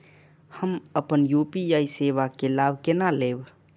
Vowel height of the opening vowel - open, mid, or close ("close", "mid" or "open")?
mid